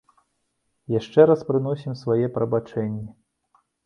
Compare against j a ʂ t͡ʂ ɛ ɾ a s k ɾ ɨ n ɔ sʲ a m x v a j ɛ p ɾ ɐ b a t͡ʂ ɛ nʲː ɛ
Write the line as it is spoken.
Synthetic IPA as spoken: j a ʂ t͡ʂ ɛ ɾ a s p ɾ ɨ n ɔ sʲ i m s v a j ɛ p ɾ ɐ b a t͡ʂ ɛ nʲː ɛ